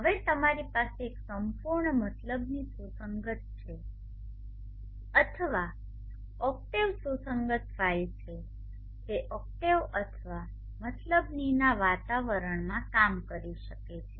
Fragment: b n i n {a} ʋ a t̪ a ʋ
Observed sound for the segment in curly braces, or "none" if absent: a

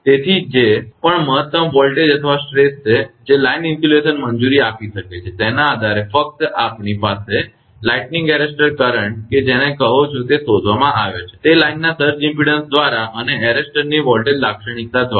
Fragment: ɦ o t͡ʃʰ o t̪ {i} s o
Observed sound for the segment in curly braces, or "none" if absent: e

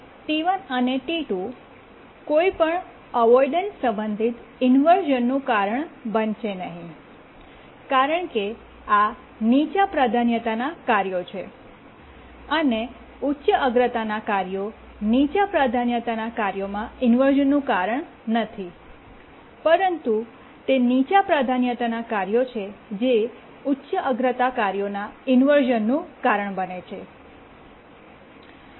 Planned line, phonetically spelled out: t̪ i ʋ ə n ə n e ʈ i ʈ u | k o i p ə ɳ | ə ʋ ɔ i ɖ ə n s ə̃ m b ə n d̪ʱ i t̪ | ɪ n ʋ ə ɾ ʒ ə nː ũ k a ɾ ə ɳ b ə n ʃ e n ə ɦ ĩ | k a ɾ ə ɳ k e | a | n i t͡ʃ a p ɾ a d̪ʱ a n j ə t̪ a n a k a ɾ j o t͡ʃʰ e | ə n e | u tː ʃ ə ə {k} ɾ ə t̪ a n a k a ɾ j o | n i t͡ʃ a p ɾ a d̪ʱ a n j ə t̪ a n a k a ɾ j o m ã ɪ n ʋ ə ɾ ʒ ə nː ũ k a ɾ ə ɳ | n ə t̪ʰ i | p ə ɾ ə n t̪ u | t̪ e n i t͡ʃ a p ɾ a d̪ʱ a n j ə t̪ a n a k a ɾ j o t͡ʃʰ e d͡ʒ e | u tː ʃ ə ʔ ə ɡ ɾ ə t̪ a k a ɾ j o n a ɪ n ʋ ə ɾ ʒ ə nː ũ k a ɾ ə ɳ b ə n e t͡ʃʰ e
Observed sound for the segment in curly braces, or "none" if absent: ɡ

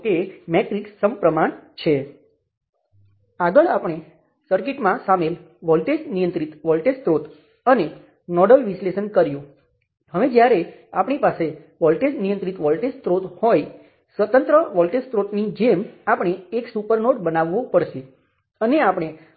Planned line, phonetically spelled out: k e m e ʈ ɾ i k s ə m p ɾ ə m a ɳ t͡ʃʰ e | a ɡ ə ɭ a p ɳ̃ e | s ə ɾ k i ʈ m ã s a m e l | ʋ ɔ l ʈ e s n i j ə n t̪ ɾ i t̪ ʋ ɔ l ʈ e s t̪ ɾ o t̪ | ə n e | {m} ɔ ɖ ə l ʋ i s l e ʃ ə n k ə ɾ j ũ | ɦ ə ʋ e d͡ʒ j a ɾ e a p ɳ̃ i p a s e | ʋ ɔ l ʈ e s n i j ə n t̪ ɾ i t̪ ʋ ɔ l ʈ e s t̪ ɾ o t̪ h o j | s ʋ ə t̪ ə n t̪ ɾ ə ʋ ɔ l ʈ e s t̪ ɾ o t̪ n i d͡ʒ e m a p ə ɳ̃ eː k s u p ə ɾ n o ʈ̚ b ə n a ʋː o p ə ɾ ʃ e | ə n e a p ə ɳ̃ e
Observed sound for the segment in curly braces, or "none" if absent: n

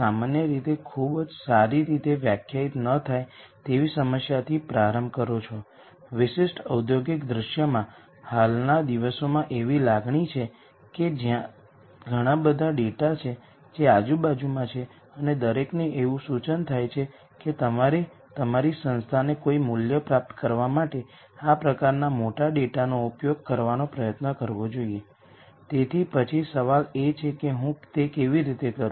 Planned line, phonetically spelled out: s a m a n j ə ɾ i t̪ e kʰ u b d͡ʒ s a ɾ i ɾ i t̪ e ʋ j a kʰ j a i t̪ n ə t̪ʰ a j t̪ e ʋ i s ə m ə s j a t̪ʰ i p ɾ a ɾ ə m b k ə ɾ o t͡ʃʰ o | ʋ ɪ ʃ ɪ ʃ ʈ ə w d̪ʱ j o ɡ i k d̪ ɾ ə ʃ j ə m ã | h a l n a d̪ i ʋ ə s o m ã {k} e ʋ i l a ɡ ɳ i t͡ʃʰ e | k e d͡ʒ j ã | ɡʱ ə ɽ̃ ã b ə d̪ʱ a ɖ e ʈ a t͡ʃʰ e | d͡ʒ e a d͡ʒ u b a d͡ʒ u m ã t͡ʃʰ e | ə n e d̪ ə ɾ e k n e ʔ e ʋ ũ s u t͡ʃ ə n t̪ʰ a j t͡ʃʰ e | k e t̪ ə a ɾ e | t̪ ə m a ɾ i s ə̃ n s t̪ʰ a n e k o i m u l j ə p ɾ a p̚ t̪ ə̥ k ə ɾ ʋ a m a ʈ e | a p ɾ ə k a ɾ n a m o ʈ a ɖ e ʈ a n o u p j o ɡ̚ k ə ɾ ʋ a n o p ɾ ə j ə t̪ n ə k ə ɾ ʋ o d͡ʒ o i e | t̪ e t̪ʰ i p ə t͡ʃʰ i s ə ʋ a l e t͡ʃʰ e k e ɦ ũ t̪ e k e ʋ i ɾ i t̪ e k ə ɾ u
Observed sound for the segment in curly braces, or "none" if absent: ʔ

